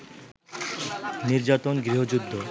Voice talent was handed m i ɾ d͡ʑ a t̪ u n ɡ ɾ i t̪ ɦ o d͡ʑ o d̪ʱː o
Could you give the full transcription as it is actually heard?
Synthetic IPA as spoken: n i ɾ d͡ʑ a t̪ o n ɡ ɾ i ɦ o d͡ʑ u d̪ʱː o